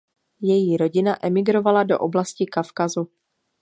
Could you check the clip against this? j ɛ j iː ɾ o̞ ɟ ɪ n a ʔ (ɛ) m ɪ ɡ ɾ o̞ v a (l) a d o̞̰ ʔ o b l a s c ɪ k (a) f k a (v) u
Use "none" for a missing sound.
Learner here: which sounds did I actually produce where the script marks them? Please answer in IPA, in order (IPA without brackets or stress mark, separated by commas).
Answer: ɛ, l, a, z